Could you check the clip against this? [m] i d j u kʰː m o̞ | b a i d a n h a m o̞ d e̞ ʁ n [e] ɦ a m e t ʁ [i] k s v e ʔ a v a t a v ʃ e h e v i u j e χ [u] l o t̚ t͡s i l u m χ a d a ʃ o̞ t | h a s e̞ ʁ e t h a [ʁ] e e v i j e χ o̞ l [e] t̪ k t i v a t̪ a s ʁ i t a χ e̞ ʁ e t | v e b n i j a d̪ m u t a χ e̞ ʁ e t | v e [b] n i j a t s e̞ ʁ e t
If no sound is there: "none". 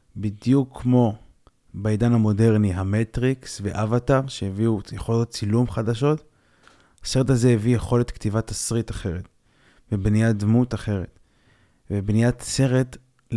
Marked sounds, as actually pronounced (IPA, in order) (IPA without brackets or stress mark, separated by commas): b, i, i, o, z, e, b